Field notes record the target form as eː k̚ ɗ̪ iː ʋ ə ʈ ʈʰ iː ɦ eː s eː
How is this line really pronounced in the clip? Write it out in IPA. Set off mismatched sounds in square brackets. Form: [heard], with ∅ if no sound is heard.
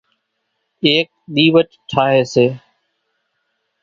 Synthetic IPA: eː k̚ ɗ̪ iː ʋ ə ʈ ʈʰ [aː] ɦ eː s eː